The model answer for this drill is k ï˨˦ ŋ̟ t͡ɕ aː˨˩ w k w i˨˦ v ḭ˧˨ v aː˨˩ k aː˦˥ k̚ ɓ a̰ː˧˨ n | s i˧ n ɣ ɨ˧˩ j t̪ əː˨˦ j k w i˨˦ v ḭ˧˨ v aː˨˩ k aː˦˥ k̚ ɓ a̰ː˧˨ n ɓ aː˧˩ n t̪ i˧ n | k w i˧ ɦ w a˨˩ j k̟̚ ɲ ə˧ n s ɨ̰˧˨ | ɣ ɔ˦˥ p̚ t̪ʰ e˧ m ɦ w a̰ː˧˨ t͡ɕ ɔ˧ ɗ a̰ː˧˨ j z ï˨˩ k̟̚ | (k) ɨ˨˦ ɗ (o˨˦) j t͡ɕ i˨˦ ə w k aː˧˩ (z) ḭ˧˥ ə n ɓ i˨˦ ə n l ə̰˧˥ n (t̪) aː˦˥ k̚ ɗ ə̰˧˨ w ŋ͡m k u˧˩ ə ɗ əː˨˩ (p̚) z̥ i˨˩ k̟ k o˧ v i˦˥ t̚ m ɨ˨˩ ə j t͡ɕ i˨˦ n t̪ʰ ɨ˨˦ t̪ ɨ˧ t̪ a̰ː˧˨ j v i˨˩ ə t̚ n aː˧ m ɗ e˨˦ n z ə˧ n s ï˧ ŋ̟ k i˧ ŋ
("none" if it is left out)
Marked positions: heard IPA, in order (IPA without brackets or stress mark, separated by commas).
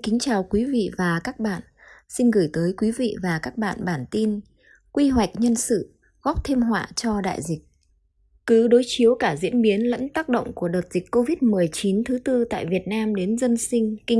k, o˨˦, z, t̪, t̚